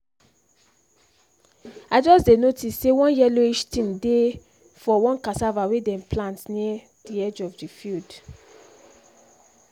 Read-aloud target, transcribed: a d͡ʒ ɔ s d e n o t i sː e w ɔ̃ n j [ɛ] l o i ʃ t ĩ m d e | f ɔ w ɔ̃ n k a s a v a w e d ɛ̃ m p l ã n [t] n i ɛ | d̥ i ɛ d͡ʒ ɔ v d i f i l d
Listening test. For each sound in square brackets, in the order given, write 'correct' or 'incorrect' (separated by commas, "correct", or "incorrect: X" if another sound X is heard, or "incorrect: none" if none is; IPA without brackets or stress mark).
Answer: correct, correct